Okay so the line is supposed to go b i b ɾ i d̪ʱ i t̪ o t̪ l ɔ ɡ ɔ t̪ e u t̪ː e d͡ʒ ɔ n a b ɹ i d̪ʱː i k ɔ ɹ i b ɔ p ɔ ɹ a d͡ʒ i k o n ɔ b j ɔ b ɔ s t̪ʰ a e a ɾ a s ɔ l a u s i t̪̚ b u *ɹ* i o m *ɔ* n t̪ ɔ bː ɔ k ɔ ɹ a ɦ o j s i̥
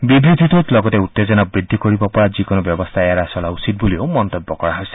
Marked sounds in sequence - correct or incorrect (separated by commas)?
incorrect, correct